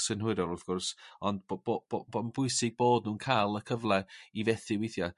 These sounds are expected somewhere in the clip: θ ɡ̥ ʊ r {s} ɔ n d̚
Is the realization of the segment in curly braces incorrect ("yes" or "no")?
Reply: no